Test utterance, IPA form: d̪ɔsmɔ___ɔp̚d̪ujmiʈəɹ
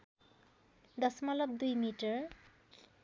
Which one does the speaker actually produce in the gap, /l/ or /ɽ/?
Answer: l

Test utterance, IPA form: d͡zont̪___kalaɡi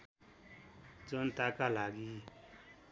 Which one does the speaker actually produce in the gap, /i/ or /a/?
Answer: a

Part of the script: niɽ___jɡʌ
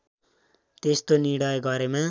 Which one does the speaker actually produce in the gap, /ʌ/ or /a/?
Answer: ʌ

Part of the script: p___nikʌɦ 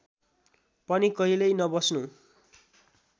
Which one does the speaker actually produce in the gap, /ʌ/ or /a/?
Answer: ʌ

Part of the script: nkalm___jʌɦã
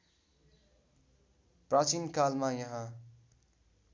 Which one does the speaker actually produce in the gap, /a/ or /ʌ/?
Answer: a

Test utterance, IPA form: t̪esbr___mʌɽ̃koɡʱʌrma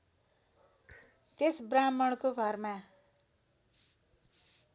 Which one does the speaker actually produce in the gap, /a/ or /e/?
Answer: a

